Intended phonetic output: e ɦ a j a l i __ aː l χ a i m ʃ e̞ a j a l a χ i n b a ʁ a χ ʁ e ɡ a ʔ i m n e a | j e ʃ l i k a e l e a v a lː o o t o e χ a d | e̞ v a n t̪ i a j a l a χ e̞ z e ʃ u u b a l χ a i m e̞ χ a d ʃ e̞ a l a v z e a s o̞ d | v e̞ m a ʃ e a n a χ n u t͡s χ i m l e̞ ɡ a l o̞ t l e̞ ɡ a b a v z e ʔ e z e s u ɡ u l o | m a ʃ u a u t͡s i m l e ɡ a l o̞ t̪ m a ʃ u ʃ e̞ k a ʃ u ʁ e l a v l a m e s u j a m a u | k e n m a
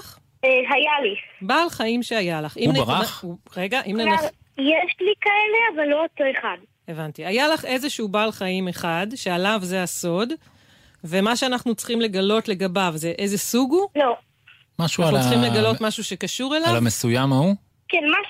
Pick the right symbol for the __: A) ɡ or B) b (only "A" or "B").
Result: B